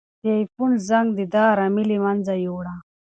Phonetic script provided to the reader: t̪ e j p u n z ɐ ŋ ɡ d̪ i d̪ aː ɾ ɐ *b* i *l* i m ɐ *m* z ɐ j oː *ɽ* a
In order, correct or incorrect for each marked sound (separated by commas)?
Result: incorrect, correct, incorrect, correct